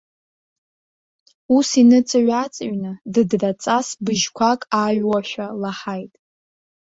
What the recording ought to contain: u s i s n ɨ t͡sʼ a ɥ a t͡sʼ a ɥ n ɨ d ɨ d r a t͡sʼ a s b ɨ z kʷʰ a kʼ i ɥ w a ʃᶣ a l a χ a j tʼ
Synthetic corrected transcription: u s i n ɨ t͡sʼ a ɥ a t͡sʼ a ɥ n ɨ d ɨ d r a t͡sʼ a s b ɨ ʒ kʷʰ a kʼ a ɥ w a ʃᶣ a l a ħ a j tʼ